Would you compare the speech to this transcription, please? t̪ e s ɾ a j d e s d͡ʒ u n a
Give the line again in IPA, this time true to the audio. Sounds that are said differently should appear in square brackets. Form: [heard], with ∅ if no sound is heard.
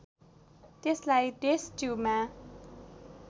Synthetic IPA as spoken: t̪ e s [l] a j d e s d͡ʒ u [m] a